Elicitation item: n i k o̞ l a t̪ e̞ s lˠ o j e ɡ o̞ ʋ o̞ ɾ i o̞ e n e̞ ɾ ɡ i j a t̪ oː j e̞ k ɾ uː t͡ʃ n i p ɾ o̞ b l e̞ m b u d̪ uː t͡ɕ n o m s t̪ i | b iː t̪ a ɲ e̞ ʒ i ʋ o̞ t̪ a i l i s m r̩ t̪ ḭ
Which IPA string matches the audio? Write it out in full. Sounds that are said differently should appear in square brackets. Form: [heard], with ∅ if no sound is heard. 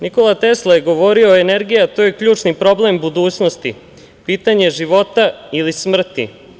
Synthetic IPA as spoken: n i k o̞ l a t̪ e̞ s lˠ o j e ɡ o̞ ʋ o̞ ɾ i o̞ e n e̞ ɾ ɡ i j a t̪ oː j e̞ k [ʎ] uː t͡ʃ n i p ɾ o̞ b l e̞ m b u d̪ uː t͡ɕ n o [∅] s t̪ i | [p] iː t̪ a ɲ e̞ ʒ i ʋ o̞ t̪ a i l i s m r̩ t̪ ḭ

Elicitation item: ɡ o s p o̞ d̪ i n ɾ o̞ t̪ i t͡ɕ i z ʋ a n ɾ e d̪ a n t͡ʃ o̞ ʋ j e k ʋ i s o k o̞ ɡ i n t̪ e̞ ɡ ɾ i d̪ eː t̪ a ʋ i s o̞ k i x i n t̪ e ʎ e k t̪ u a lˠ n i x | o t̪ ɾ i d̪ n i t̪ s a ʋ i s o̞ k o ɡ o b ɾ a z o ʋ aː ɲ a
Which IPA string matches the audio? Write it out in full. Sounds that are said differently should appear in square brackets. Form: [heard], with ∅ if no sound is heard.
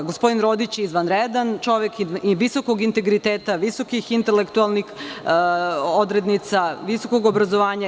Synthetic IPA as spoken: ɡ o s p o̞ d̪ i n ɾ o̞ [d̪] i t͡ɕ i z ʋ a n ɾ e d̪ a n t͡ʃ o̞ ʋ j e k ʋ i s o k o̞ ɡ i n t̪ e̞ ɡ ɾ i [t̪] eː t̪ a ʋ i s o̞ k i x i n t̪ e [l] e k t̪ u a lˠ n i x | o [d̪] ɾ [e] d̪ n i t̪ s a ʋ i s o̞ k o ɡ o b ɾ a z o ʋ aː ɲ a

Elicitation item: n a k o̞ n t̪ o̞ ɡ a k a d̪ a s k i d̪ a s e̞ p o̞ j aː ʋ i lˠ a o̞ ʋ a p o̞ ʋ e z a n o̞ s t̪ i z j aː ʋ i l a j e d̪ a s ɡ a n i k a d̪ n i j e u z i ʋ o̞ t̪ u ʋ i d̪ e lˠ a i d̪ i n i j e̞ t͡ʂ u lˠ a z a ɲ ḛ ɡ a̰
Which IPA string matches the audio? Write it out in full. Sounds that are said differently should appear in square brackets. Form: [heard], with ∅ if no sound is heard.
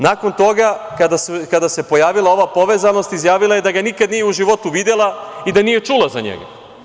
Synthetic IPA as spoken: n a k o̞ n t̪ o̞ ɡ a k a d̪ a s k [a] d̪ a s e̞ p o̞ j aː ʋ i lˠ a o̞ ʋ a p o̞ ʋ e z a n o̞ s t̪ i z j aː ʋ i l a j e d̪ a [∅] ɡ a n i k a d̪ n i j e u [ʒ] i ʋ o̞ t̪ u ʋ i d̪ e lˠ a i d̪ [a] n i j e̞ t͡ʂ u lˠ a z a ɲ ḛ ɡ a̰

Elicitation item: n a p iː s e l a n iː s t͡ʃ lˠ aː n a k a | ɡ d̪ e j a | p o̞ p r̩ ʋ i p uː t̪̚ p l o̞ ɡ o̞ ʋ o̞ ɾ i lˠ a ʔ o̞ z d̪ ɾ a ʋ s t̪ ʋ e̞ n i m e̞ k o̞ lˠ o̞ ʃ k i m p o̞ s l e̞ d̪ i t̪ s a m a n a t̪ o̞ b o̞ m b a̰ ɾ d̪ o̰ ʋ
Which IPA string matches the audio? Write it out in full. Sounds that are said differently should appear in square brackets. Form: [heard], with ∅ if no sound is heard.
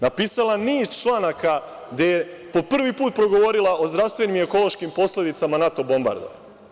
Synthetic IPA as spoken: n a p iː s [a] l a n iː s t͡ʃ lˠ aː n a k a | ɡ d̪ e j [e] | p o̞ p r̩ ʋ i p uː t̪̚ p [ɾ] o̞ ɡ o̞ ʋ o̞ ɾ i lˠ a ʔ o̞ z d̪ ɾ a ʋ s t̪ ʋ e̞ n i m e̞ k o̞ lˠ o̞ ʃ k i m p o̞ s l e̞ d̪ i t̪ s a m a n a t̪ o̞ b o̞ m b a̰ ɾ d̪ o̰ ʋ

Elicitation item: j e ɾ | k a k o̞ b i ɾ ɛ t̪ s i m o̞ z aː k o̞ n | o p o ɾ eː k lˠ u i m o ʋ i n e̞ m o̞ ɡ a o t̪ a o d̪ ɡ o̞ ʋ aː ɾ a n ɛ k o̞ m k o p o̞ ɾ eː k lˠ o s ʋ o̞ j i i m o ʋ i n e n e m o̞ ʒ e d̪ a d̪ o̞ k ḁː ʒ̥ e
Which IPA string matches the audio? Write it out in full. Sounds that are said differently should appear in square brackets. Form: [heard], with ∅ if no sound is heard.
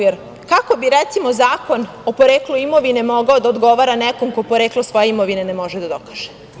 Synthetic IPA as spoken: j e ɾ | k a k o̞ b i ɾ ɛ t̪ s i m o̞ z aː k o̞ n | o p o ɾ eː k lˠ u i m o ʋ i n e̞ m o̞ ɡ a o [d̪] a o d̪ ɡ o̞ ʋ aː ɾ a n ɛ k o̞ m k o p o̞ ɾ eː k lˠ o s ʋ o̞ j [e] i m o ʋ i n e n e m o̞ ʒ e d̪ a d̪ o̞ k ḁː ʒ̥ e

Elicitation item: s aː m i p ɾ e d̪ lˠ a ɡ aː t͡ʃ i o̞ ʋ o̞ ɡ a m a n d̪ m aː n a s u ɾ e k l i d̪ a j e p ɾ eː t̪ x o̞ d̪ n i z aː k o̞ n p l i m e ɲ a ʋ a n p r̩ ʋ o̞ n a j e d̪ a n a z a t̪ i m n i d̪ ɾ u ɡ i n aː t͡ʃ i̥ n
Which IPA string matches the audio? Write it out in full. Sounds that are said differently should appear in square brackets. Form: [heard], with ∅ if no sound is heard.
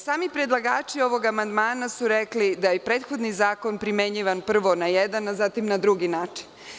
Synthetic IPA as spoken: s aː m i p ɾ e d̪ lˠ a ɡ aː t͡ʃ i o̞ ʋ o̞ ɡ a m a n d̪ m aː n a s u ɾ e k l i d̪ a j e p ɾ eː t̪ x o̞ d̪ n i z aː k o̞ n p [ɾ] i m e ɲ [i] ʋ a n p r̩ ʋ o̞ n a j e d̪ a n a z a t̪ i m n [a] d̪ ɾ u ɡ i n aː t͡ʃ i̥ n

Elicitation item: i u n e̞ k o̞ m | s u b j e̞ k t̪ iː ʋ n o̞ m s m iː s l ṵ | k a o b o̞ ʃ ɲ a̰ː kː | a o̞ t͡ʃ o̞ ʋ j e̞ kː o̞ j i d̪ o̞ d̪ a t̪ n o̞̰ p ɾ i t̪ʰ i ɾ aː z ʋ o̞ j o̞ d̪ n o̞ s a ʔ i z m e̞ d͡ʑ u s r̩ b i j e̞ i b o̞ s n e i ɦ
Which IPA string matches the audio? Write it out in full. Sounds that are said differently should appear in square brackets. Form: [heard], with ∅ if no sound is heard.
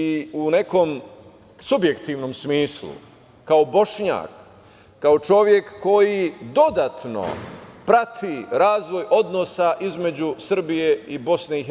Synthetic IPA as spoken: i u n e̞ k o̞ m | s u b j e̞ k t̪ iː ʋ n o̞ m s m iː s l ṵ | k a o b o̞ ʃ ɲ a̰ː kː | a o̞ t͡ʃ o̞ ʋ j e̞ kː o̞ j i d̪ o̞ d̪ a t̪ n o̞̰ p ɾ [a] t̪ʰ i ɾ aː z ʋ o̞ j o̞ d̪ n o̞ s a ʔ i z m e̞ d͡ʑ u s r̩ b i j e̞ i b o̞ s n e i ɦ

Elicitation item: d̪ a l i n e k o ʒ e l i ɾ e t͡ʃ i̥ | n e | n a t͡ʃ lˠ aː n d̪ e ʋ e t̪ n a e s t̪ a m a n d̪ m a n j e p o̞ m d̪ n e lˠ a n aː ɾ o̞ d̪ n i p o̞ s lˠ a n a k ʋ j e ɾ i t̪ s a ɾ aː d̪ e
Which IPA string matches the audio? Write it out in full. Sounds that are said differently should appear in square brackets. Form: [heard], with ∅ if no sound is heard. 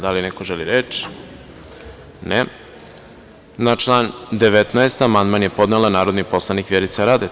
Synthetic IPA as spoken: d̪ a l i n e k o ʒ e l i ɾ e t͡ʃ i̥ | n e | n a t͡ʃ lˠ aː n d̪ e ʋ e t̪ n a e s t̪ a m a n d̪ m a n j e p o̞ [∅] d̪ n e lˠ a n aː ɾ o̞ d̪ n i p o̞ s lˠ a n [i] k ʋ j e ɾ i t̪ s a ɾ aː d̪ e

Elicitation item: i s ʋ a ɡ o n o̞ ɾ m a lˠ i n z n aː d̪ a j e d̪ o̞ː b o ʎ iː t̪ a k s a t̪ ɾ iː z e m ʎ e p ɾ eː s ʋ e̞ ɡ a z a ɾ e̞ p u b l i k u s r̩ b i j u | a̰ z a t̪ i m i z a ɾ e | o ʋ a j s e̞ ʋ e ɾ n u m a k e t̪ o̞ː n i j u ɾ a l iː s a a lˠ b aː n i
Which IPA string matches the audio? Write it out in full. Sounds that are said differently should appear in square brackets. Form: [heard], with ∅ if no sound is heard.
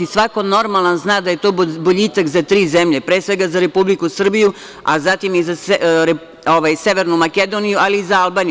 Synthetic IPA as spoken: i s ʋ a [k] o n o̞ ɾ m a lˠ [a] n z n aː d̪ a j e [t̪] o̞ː b o ʎ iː t̪ a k [z] a t̪ ɾ iː z e m ʎ e p ɾ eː s ʋ e̞ ɡ a z a ɾ e̞ p u b l i k u s r̩ b i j u | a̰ z a t̪ i m i z a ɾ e | o ʋ a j s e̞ ʋ e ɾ n u m a k e [d̪] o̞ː n i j u [∅] a l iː [z] a a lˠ b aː n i

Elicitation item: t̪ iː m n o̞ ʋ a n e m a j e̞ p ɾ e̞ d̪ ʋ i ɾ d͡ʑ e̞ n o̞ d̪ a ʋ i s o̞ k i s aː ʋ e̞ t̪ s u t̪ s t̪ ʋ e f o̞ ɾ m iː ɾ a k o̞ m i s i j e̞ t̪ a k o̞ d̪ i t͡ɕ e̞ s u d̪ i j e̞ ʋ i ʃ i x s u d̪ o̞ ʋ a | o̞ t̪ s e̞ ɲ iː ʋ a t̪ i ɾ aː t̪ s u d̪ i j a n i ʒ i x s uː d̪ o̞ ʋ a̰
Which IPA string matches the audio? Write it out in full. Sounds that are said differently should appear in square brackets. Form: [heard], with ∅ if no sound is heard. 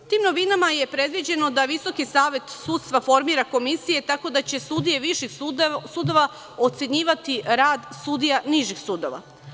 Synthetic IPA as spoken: t̪ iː m n o̞ ʋ [i] n [a] m a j e̞ p ɾ e̞ d̪ ʋ i [∅] d͡ʑ e̞ n o̞ d̪ a ʋ i s o̞ k i s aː ʋ e̞ t̪ s u t̪ s t̪ ʋ [a] f o̞ ɾ m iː ɾ a k o̞ m i s i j e̞ t̪ a k o̞ d̪ [a] t͡ɕ e̞ s u d̪ i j e̞ ʋ i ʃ i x s u d̪ o̞ ʋ a | o̞ t̪ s e̞ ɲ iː ʋ a t̪ i ɾ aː [d̪] s u d̪ i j a n i ʒ i x s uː d̪ o̞ ʋ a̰

